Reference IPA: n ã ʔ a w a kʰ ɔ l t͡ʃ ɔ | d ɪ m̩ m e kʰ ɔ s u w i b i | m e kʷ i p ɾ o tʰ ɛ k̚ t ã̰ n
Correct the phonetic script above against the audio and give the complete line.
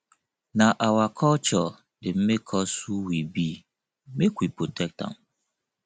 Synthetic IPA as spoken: n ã ʔ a w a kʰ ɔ l t͡ʃ ɔ | d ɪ m̩ m e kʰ ɔ s u w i b i | m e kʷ i p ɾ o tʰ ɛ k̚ t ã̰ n